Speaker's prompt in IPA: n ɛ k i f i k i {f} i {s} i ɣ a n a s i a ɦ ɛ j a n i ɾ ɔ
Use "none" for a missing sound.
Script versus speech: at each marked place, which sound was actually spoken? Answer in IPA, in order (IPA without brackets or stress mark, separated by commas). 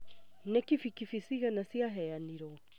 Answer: f, s